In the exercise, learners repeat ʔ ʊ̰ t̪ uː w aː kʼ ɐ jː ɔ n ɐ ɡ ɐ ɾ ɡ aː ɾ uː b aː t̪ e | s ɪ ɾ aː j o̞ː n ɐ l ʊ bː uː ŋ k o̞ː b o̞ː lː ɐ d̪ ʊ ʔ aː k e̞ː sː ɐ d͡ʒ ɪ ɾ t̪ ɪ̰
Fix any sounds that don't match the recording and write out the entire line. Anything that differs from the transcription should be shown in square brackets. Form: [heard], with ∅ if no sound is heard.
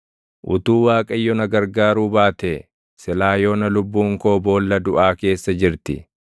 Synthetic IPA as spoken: ʔ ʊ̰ t̪ uː w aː kʼ ɐ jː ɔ n ɐ ɡ ɐ ɾ ɡ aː ɾ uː b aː t̪ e | s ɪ [l] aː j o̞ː n ɐ l ʊ bː uː ŋ k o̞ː b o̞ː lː ɐ d̪ ʊ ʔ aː k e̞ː sː ɐ d͡ʒ ɪ ɾ t̪ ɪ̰